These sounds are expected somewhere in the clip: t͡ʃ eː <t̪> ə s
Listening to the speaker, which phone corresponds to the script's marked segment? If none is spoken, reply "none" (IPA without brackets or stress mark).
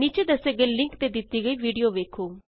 d̪